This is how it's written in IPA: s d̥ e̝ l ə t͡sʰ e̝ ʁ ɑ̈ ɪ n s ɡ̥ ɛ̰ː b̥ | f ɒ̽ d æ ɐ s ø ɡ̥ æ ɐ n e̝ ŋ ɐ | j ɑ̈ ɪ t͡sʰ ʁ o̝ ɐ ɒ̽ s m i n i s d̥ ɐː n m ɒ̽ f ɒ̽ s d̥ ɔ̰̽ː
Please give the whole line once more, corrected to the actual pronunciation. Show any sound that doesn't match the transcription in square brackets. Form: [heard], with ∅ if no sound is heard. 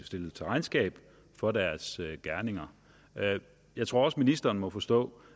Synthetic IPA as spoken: s d̥ e̝ l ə t͡sʰ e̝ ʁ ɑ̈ ɪ n s ɡ̥ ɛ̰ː b̥ | f ɒ̽ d æ ɐ s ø ɡ̥ æ ɐ n e̝ ŋ ɐ | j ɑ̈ ɪ t͡sʰ ʁ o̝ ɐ ɒ̽ s m i n i s d̥ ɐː n m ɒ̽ f ɒ̽ s d̥ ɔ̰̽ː